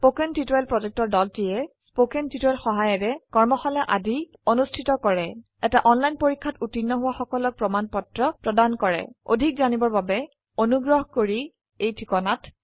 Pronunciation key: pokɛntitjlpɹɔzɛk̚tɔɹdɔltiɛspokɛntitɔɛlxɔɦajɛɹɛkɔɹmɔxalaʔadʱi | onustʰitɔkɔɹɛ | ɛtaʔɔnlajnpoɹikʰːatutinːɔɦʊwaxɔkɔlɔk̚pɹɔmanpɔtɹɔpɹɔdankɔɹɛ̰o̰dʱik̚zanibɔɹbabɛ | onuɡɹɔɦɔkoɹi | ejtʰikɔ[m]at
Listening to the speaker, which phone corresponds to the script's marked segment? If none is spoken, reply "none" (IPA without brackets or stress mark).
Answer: n